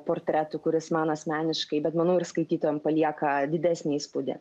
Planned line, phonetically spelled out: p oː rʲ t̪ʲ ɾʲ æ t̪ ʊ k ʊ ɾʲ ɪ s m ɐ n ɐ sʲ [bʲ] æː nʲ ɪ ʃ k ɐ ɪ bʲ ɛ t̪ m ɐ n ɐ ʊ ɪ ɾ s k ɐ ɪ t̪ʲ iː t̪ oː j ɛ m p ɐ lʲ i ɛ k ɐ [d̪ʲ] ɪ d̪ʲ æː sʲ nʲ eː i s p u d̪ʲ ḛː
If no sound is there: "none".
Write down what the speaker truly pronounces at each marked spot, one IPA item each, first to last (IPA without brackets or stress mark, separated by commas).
mʲ, d̪ʲ